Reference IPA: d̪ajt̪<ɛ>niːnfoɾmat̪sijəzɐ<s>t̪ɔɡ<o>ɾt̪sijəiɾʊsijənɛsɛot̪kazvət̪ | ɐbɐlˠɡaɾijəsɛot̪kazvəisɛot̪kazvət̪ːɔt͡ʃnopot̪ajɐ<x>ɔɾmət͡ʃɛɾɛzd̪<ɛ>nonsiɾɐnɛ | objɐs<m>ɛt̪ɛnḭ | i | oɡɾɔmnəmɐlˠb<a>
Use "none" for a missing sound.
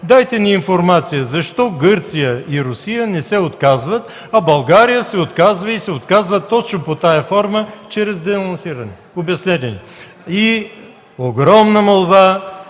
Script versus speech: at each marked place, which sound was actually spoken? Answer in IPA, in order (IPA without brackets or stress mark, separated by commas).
ɛ, ʃ, ɤ, f, ɛ, n, a